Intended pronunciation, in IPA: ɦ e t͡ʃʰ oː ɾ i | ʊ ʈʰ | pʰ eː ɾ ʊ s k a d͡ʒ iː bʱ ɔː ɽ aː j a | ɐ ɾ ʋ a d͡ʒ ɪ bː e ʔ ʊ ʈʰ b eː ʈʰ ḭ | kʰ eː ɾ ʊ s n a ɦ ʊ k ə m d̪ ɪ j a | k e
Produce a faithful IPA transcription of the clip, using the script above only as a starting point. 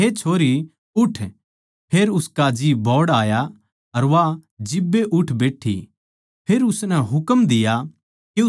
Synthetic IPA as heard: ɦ e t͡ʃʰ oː ɾ i | ʊ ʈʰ | pʰ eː ɾ ʊ s k a d͡ʒ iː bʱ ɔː ɽ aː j a | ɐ ɾ ʋ a d͡ʒ ɪ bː e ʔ ʊ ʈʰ b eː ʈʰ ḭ | pʰ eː ɾ ʊ s n ɛ ɦ ʊ k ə m d̪ ɪ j a | k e